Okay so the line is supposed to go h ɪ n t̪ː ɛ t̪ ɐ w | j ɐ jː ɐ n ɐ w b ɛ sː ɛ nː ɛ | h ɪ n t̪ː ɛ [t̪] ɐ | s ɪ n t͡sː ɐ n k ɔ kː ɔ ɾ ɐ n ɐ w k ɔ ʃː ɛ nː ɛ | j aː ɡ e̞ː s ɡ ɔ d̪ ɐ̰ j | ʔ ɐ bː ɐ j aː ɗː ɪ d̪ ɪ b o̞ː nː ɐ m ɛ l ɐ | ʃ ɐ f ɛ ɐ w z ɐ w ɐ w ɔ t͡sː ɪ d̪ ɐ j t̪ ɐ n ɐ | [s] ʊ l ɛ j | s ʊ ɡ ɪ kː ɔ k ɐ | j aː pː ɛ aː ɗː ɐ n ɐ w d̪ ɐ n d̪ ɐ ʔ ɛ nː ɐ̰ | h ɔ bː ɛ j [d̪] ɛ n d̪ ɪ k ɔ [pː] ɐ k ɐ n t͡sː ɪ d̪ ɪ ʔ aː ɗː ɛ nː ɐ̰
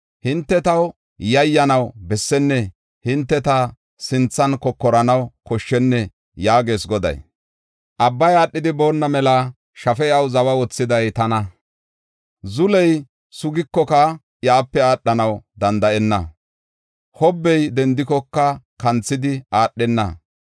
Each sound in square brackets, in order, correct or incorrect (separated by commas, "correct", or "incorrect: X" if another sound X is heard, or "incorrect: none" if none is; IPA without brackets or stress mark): correct, incorrect: z, correct, incorrect: kː